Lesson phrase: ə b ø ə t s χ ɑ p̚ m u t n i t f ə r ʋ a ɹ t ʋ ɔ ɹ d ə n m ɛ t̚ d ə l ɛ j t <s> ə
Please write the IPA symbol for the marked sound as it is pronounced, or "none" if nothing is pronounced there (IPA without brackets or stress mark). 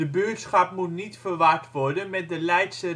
s